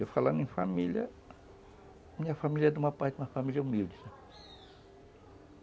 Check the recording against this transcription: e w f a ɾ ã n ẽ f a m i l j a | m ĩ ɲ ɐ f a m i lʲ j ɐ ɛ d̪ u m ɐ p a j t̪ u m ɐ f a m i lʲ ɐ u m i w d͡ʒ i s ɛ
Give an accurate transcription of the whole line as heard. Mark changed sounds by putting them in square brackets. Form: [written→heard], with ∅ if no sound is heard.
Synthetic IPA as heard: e w f a [ɾ→l] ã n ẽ f a m i l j [a→ɐ] | m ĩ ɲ ɐ f a m i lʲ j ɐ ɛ d̪ u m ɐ p a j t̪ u m ɐ f a m i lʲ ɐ u m i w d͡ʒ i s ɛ